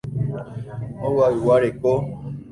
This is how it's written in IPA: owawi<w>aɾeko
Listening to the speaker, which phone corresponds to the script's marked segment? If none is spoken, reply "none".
w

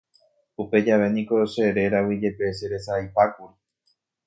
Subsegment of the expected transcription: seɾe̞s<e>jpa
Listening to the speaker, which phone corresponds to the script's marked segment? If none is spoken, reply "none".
a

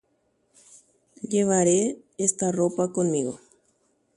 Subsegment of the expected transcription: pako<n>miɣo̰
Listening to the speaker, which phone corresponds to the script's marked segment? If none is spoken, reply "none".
n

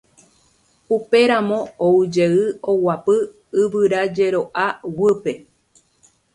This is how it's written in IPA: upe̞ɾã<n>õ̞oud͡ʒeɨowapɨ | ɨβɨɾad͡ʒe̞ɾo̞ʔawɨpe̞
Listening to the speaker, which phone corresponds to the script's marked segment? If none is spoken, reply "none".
m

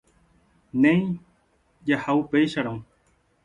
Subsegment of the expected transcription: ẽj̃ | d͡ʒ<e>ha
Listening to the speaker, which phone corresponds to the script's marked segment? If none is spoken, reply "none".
a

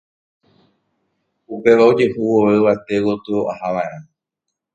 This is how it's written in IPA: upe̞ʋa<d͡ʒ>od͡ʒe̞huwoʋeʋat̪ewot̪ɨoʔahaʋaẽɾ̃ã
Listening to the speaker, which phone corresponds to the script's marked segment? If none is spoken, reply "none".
none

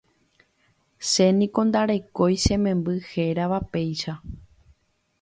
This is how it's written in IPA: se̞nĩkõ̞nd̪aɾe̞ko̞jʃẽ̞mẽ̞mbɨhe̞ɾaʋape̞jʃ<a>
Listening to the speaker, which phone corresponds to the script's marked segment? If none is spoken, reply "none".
a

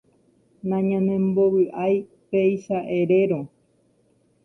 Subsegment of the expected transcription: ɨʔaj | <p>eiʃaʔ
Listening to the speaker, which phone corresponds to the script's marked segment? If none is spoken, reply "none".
p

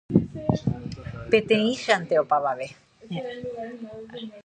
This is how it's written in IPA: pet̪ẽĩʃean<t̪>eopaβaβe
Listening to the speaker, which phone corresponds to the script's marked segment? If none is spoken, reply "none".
t̪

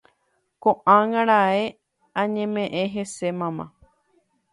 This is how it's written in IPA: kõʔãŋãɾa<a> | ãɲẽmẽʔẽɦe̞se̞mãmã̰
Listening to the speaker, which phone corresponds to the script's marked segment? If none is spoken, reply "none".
e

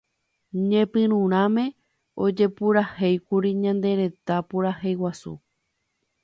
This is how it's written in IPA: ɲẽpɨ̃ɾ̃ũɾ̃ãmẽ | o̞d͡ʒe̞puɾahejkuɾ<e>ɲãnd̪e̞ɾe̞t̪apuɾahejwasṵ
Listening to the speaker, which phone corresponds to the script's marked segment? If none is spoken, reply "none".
i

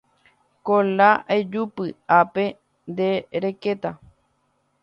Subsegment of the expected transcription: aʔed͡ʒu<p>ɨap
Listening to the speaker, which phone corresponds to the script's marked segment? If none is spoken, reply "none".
p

